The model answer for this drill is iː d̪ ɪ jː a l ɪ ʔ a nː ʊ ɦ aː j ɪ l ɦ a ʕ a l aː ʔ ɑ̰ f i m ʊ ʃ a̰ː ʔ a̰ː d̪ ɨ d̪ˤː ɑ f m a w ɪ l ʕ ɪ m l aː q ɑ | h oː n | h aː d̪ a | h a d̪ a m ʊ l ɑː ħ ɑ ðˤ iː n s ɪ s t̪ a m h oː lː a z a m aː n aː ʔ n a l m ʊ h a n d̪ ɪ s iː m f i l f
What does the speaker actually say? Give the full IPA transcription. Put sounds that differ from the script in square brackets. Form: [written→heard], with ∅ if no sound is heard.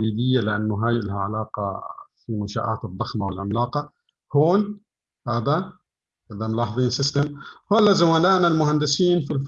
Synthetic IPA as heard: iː d̪ ɪ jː a l ɪ ʔ a nː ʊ ɦ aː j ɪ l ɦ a ʕ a l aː [ʔ→q] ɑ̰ f i m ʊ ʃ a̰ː ʔ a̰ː [d̪→t̪] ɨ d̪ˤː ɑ [f→x] m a w ɪ l ʕ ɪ m l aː q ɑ | h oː n | h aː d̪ a | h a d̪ a m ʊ l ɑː ħ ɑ ðˤ iː n s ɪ s t̪ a m h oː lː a z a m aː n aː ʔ n a l m ʊ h a n d̪ ɪ s iː [m→n] f i l f